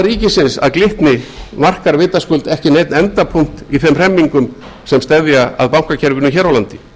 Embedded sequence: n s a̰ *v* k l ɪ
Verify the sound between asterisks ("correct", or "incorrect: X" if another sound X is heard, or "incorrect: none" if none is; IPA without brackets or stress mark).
incorrect: ð